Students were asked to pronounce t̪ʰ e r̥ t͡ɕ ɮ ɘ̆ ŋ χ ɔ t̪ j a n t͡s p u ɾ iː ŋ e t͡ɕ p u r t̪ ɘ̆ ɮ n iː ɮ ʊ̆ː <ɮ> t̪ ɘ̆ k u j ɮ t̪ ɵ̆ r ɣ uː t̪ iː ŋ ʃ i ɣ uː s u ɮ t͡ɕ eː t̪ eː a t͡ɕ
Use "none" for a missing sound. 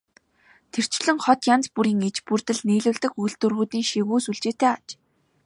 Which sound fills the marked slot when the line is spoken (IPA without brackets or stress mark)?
ɮ